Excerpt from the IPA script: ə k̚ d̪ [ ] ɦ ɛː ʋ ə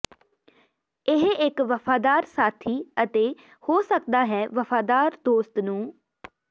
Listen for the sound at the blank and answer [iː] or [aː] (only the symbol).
aː